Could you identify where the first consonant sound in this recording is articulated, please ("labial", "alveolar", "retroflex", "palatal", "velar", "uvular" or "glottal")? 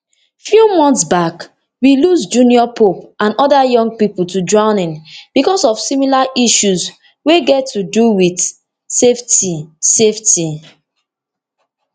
labial